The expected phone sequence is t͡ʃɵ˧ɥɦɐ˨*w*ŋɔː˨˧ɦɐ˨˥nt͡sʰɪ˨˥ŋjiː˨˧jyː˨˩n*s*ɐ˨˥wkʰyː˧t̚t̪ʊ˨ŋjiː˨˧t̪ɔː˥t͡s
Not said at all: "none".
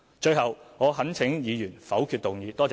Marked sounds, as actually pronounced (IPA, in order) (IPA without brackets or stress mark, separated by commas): w, f